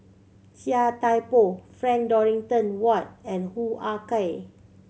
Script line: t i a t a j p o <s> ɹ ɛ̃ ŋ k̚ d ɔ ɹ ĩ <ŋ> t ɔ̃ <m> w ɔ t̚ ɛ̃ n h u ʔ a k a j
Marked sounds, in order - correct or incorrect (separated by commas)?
incorrect, correct, incorrect